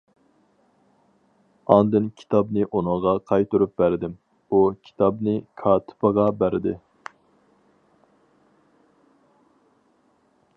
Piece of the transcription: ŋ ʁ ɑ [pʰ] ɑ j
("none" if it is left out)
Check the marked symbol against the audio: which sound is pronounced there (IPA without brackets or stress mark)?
qʰ